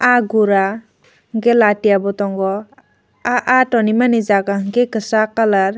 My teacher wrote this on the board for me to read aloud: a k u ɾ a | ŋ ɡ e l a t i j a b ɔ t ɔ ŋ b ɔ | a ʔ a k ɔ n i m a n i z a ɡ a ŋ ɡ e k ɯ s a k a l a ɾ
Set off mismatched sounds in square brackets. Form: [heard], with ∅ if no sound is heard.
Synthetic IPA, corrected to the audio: a [ɡ] u ɾ a | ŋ ɡ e l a t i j a b ɔ t ɔ ŋ [ɡ] ɔ | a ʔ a [t] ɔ n i m a n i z a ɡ a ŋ ɡ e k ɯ s a k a l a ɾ